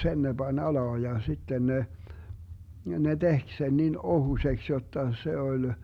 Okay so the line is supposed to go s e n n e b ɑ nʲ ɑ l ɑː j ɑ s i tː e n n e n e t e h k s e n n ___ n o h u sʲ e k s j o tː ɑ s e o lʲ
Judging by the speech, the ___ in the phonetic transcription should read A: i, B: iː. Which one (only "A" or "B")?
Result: A